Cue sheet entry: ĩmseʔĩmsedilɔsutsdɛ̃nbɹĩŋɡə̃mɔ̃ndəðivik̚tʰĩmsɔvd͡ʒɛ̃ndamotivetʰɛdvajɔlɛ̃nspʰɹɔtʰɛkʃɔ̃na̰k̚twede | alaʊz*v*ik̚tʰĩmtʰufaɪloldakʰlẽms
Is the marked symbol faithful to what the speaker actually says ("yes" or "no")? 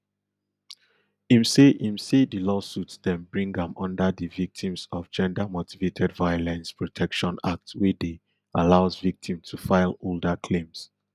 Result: yes